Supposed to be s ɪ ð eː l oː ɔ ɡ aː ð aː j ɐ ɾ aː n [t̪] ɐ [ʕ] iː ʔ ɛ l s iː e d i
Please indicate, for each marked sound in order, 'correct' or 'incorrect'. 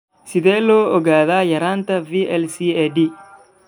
correct, incorrect: v

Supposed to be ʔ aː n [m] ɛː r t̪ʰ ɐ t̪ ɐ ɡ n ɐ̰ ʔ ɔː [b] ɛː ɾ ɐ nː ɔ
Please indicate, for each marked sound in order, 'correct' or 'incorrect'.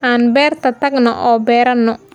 incorrect: b, correct

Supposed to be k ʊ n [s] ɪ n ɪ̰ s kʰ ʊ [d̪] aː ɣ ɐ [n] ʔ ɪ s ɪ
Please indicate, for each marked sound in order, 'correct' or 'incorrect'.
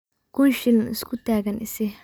incorrect: ʃ, incorrect: t̪, correct

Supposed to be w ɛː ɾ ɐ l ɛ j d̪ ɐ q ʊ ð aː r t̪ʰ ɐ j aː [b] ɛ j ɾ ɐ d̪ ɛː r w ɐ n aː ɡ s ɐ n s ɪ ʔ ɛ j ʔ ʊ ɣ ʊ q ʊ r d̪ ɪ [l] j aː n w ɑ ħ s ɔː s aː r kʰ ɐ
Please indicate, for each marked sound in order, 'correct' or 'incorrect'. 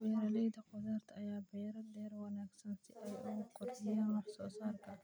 correct, incorrect: none

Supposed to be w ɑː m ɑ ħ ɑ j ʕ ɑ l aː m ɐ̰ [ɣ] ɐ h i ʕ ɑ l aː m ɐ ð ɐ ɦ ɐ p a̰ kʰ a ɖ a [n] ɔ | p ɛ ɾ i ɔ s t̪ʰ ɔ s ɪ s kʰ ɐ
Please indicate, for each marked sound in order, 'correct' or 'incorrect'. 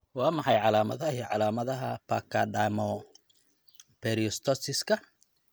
incorrect: ð, incorrect: m

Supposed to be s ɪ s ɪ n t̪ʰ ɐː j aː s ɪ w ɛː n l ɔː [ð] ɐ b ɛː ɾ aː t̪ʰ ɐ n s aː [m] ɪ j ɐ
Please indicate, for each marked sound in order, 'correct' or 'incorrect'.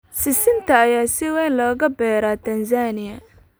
incorrect: ɣ, incorrect: n

